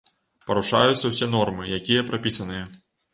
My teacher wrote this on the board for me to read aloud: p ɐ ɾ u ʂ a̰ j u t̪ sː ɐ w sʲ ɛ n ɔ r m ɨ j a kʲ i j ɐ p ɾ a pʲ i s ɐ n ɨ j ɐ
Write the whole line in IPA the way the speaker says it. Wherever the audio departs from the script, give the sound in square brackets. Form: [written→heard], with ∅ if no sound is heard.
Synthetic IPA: p ɐ ɾ u ʂ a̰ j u t̪ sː ɐ w sʲ ɛ n ɔ r m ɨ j a kʲ i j ɐ p ɾ a pʲ i s ɐ n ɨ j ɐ